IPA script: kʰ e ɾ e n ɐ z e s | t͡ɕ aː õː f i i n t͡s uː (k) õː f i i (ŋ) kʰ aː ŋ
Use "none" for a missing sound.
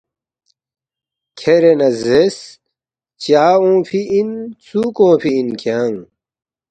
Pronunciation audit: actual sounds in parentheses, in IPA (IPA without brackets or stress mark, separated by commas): k, n